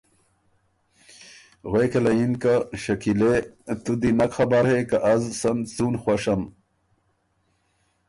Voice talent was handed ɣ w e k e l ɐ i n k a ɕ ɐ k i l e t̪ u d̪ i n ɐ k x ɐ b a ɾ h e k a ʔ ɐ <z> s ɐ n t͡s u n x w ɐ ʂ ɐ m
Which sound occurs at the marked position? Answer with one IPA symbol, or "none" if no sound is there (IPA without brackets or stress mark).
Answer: z